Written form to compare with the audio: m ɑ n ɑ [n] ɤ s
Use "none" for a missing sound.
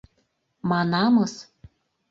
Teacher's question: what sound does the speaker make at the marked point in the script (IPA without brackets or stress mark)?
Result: m